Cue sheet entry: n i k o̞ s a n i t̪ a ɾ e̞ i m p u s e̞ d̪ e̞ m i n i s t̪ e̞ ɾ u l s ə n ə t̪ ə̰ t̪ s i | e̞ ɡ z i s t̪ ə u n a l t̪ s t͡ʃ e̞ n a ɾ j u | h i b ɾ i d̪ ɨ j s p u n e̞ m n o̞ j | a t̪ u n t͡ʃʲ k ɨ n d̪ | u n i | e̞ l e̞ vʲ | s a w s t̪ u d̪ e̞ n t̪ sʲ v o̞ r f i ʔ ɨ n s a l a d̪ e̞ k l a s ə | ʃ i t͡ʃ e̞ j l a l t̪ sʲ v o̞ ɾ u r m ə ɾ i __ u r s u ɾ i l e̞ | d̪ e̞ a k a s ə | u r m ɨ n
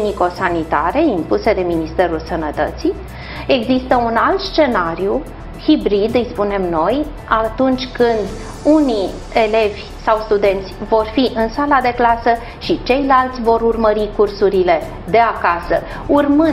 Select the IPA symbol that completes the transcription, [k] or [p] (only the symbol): k